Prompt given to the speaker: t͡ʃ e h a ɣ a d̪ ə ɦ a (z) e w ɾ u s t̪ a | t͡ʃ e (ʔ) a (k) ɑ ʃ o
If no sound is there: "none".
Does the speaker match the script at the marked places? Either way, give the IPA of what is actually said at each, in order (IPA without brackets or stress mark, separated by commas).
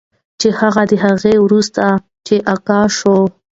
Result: ɣ, ʔ, k